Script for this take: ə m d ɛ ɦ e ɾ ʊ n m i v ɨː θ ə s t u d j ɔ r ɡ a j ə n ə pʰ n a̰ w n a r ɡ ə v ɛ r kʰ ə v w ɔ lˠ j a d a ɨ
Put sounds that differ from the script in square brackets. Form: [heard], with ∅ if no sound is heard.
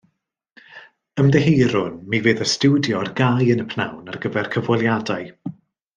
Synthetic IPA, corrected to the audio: ə m d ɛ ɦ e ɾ ʊ n m i v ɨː [ð] ə s t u d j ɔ r ɡ a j ə n ə pʰ n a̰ w n a r ɡ ə v ɛ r kʰ ə v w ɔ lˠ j a d a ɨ